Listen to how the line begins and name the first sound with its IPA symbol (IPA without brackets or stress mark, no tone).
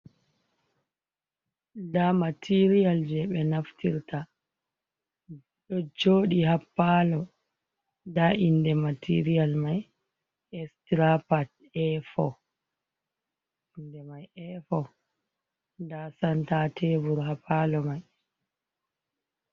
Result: d